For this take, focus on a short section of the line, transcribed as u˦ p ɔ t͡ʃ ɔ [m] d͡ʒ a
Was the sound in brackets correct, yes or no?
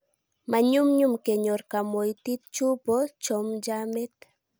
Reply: yes